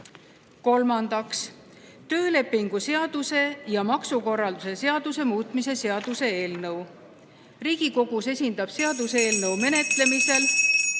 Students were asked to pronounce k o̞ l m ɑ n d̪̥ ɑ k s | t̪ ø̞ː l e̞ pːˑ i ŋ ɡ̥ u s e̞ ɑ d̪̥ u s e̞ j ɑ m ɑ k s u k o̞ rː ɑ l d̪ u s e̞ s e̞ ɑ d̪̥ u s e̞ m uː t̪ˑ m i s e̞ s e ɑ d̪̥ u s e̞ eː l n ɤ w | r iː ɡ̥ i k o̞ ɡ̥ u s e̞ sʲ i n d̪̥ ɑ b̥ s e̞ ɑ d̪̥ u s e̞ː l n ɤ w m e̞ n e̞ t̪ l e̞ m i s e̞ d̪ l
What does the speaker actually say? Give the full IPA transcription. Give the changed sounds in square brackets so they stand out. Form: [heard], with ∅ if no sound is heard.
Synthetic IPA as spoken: k o̞ l m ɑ n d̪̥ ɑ k s | t̪ ø̞ː l e̞ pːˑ i ŋ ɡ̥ u s e̞ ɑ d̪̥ u s e̞ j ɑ m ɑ k s u k o̞ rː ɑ l d̪ u s e̞ s e̞ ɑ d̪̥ u s e̞ m uː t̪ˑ m i s e̞ s e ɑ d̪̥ u s e̞ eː l n ɤ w | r iː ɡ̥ i k o̞ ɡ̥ u s e̞ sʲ i n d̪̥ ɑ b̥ s e̞ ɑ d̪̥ u s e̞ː l n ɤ w m e̞ n e̞ t̪ l e̞ m i s e̞ [∅] l